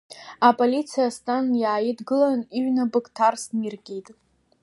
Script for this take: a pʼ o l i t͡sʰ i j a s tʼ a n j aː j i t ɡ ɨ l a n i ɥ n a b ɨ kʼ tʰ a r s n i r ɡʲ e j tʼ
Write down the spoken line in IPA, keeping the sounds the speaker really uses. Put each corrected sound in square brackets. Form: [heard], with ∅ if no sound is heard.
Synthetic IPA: a pʼ o l i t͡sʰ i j a s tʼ a n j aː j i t ɡ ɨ l a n i ɥ n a b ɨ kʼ tʰ a r s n i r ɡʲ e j tʼ